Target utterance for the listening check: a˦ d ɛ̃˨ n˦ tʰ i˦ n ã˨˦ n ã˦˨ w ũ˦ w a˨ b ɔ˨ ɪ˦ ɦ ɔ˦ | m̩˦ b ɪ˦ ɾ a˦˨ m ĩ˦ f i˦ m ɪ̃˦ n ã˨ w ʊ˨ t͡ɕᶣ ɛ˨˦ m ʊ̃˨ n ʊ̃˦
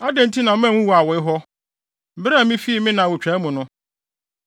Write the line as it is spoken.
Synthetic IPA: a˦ d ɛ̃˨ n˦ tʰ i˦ n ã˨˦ m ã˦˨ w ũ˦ w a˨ w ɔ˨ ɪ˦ ɦ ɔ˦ | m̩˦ b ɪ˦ ɾ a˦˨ m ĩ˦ f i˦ m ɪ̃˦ n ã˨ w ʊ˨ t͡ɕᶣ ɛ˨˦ m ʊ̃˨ n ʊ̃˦